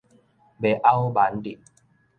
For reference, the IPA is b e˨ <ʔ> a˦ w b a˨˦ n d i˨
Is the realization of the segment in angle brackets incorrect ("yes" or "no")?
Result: no